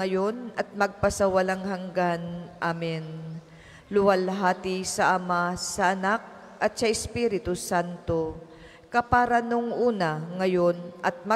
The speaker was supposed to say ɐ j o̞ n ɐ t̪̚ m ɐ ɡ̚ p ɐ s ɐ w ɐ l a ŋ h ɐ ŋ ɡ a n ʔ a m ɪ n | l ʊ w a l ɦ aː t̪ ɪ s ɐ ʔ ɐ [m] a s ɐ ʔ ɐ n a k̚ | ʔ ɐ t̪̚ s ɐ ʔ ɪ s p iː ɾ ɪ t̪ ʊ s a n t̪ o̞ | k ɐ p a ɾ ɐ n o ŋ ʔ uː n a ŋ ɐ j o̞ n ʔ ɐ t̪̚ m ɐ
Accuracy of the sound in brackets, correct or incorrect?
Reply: correct